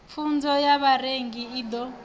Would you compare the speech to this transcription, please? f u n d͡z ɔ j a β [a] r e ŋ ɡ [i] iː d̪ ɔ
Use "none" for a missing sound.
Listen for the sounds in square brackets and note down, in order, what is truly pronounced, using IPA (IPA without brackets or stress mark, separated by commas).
a, i